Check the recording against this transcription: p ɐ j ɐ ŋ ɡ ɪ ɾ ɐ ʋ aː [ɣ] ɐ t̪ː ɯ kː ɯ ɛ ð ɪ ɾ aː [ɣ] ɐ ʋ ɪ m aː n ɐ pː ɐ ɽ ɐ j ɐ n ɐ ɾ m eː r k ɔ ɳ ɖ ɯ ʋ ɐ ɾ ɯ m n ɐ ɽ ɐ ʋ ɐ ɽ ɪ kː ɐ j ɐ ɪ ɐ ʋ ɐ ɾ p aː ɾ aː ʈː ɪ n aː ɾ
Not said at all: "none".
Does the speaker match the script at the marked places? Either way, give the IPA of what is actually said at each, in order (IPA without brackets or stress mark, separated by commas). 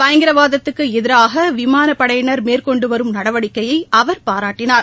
ð, ɣ